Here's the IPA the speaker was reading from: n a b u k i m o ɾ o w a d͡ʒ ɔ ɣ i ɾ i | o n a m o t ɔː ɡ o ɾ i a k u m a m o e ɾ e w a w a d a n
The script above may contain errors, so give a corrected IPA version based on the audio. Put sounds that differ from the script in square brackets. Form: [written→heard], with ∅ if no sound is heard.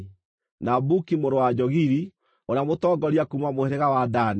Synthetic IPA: n a b u k i m o ɾ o w a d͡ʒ ɔ ɣ i ɾ i | o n a m o t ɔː ɡ [o→ɔ] ɾ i a k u m a m o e ɾ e [w→ɣ] a w a d a n